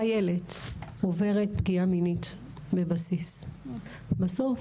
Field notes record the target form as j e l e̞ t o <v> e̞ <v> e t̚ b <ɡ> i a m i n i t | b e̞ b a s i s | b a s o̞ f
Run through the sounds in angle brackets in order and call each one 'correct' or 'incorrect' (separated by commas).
correct, incorrect, correct